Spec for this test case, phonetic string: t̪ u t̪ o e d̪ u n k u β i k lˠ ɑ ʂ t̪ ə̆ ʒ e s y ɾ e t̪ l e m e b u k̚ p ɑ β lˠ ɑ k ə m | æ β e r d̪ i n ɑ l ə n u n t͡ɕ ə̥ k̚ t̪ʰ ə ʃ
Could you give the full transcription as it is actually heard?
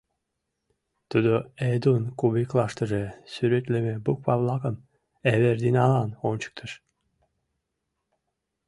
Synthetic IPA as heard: t̪ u d̪ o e d̪ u n k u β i k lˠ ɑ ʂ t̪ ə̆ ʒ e s y ɾ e t̪ l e m e b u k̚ p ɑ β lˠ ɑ k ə m | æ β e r d̪ i n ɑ l ɑ n o n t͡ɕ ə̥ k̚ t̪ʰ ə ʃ